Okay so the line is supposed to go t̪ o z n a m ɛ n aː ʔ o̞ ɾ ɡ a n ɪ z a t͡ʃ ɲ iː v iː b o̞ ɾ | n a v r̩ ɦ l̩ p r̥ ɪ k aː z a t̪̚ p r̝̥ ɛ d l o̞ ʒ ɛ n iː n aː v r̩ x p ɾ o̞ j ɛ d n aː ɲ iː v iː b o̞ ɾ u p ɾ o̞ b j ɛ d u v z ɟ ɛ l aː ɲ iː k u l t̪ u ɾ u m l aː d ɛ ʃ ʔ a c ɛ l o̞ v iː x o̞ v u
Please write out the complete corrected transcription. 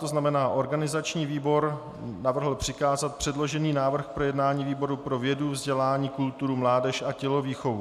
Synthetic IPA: t̪ o z n a m ɛ n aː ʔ o̞ ɾ ɡ a n ɪ z a t͡ʃ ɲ iː v iː b o̞ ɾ | n a v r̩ ɦ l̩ p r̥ ɪ k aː z a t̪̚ p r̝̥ ɛ d l o̞ ʒ ɛ n iː n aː v r̩ x p ɾ o̞ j ɛ d n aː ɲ iː v iː b o̞ ɾ u p ɾ o̞ v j ɛ d u v z ɟ ɛ l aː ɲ iː k u l t̪ u ɾ u m l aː d ɛ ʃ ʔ a c ɛ l o̞ v iː x o̞ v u